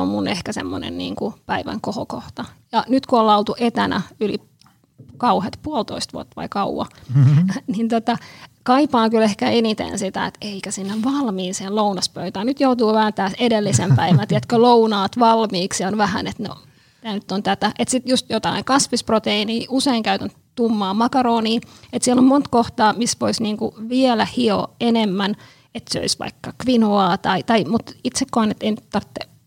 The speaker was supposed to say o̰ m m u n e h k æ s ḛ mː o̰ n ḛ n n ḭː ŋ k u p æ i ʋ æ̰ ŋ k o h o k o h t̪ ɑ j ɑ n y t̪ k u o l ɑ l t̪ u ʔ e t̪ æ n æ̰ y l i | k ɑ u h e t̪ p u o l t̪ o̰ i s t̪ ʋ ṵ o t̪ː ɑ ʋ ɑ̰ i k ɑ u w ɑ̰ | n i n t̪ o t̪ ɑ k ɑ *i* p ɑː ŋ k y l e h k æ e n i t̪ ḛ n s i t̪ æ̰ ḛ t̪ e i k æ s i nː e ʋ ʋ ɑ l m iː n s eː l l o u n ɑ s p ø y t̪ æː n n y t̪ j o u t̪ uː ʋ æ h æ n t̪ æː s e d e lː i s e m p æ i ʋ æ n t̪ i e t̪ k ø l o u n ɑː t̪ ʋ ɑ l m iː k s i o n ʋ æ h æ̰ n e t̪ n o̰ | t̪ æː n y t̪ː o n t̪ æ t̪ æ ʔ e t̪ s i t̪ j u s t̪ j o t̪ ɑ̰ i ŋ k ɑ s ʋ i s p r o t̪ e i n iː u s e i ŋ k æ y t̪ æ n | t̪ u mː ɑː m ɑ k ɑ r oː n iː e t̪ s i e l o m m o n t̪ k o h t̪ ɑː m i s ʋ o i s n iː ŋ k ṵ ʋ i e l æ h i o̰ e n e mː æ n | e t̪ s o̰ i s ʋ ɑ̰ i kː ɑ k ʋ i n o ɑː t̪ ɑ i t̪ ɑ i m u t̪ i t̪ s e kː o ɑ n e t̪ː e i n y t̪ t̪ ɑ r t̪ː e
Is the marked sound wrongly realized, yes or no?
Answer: no